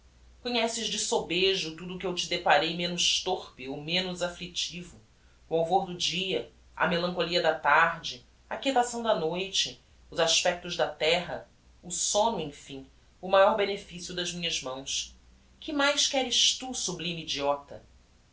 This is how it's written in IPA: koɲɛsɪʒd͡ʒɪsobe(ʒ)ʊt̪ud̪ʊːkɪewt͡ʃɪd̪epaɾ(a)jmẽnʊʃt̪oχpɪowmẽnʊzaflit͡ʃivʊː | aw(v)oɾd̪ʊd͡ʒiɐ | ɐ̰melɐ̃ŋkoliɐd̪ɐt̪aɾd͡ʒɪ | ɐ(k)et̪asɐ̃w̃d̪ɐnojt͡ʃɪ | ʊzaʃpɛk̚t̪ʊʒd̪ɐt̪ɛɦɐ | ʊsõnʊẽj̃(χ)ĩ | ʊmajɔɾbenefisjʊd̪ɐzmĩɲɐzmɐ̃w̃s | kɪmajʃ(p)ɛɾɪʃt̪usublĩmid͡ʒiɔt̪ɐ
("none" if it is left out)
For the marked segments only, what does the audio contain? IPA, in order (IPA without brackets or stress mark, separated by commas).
ʒ, e, v, k, f, k